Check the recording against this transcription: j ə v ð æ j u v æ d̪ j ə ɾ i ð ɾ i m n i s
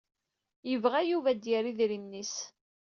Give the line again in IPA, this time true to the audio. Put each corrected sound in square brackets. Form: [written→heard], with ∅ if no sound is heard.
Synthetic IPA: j ə v [ð→ʁ] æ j u v æ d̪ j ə ɾ i ð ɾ i m n i s